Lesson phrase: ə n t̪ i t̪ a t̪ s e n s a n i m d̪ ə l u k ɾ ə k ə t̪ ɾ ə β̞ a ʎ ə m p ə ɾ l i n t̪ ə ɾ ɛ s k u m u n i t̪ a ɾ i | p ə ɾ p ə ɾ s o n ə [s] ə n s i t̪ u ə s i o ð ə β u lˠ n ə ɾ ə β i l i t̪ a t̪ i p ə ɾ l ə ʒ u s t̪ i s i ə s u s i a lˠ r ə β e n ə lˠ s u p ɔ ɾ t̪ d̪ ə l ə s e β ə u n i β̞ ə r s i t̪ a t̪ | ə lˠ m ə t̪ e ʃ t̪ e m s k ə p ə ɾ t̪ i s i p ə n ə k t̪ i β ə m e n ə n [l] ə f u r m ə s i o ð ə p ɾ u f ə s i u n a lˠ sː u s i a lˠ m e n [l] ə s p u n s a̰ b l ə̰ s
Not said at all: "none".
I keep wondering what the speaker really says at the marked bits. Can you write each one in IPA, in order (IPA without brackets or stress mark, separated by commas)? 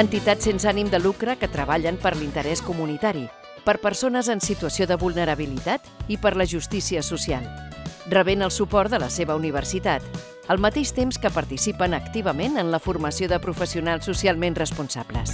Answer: z, l, r